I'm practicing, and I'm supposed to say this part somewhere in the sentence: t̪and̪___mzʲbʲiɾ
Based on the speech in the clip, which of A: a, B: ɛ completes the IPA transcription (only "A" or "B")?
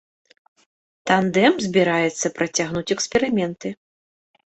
B